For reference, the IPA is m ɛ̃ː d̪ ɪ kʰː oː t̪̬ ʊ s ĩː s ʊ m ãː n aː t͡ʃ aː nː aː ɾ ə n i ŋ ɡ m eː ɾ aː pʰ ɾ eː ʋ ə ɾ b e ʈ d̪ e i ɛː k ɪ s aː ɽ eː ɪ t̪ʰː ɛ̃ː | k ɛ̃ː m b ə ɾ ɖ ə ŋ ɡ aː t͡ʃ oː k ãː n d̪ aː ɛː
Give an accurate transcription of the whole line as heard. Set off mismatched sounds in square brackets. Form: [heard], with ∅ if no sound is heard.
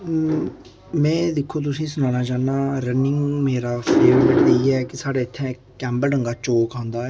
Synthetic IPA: m ɛ̃ː d̪ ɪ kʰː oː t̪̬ ʊ s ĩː s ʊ [n] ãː n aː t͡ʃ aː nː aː ɾ ə n [ɪ] ŋ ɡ m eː ɾ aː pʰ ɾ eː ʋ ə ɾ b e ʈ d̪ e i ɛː k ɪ s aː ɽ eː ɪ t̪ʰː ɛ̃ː | k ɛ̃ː m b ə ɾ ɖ ə ŋ ɡ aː t͡ʃ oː k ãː n d̪ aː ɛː